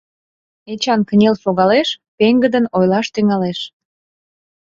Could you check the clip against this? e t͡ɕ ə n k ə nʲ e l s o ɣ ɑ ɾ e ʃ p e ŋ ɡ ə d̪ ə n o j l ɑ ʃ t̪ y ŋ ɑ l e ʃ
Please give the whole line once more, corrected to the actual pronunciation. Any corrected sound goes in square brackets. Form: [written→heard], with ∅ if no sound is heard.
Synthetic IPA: e t͡ɕ [ə→ɑ] n k ə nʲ e l s o ɣ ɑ [ɾ→l] e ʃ p e ŋ ɡ ə d̪ ə n o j l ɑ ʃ t̪ y ŋ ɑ l e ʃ